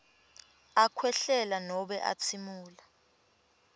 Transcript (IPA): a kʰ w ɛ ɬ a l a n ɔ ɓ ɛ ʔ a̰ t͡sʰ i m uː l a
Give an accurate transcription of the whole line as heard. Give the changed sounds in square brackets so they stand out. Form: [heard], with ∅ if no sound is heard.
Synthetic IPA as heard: a kʰ w ɛ ɬ [ɛ] l a n ɔ ɓ ɛ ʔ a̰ t͡sʰ i m uː l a